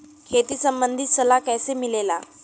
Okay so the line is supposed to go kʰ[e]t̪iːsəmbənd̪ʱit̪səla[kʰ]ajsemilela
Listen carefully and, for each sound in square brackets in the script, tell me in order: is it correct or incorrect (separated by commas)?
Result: correct, incorrect